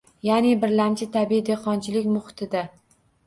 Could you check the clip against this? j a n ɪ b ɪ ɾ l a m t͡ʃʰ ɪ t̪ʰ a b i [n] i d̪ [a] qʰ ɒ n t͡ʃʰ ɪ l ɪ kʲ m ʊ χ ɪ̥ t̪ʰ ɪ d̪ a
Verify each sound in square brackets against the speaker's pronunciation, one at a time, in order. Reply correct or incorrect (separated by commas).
incorrect, incorrect